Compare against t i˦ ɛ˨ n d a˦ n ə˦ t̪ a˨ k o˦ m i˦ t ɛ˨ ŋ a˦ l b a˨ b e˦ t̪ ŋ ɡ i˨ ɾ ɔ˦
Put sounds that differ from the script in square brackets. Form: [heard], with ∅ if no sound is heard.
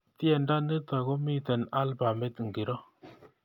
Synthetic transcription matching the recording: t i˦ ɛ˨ n d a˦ n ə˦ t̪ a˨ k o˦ m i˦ t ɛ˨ [n] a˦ l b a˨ [m] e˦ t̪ ŋ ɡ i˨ ɾ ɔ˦